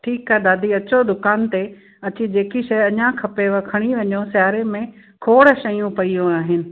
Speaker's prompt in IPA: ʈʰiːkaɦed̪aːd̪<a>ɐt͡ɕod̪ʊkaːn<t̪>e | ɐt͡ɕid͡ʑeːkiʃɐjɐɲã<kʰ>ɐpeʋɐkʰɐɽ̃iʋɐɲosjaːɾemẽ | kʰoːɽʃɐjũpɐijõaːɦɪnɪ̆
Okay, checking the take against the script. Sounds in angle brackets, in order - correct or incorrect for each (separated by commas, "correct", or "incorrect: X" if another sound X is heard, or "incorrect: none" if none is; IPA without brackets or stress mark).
incorrect: i, correct, correct